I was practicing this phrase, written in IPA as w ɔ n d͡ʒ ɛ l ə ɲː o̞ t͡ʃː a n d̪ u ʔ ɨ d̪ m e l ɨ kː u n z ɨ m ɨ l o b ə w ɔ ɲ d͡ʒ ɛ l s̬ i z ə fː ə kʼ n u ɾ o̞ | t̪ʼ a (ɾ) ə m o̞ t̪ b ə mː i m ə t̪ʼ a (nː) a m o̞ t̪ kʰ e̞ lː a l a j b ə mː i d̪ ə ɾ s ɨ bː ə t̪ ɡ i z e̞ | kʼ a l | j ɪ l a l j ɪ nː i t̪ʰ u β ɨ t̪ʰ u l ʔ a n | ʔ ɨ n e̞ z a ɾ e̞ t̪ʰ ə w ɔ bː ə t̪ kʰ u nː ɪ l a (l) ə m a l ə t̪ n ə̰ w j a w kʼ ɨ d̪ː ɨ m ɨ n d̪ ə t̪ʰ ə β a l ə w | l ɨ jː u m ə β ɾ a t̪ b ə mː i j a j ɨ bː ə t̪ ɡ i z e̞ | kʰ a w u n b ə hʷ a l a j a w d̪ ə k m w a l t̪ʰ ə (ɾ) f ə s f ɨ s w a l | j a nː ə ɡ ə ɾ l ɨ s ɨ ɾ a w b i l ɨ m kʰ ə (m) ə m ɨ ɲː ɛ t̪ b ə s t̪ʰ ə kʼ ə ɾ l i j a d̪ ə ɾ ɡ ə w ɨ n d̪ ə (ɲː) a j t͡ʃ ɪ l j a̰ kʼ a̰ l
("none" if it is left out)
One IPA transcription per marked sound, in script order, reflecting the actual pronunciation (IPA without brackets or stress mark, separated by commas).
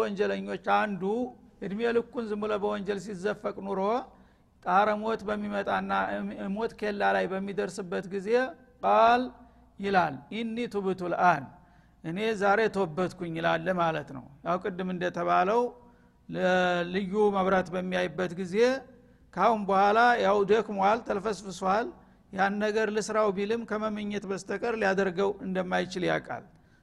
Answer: ɾ, nː, lː, l, m, mː